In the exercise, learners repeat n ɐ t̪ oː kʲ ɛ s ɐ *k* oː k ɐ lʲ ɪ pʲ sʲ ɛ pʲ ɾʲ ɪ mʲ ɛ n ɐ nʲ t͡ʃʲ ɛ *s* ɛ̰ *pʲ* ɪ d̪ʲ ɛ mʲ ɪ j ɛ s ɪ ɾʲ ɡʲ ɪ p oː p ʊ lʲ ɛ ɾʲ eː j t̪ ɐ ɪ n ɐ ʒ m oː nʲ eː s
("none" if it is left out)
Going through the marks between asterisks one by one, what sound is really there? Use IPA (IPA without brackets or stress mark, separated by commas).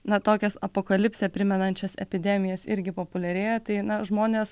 p, s, pʲ